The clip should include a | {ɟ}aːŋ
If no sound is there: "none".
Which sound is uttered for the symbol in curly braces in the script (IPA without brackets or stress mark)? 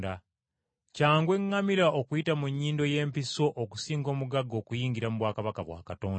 c